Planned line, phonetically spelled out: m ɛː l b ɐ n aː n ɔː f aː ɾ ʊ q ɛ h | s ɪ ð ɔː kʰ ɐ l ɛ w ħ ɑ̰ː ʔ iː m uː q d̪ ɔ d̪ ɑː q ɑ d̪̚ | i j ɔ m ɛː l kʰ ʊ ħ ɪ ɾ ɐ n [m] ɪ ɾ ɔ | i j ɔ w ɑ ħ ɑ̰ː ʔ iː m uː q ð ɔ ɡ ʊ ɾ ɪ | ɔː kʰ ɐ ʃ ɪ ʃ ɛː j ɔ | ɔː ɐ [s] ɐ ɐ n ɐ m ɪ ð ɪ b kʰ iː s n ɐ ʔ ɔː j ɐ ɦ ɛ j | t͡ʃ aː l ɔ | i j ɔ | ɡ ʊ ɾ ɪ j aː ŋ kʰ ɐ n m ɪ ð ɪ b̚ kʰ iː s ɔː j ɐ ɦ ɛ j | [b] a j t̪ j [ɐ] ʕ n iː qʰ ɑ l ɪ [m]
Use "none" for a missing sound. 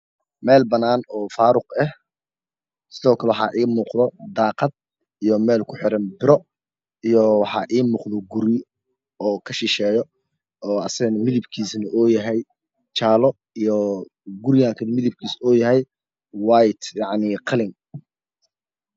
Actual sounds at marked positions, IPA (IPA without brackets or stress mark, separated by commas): b, s, w, ɑ, ŋ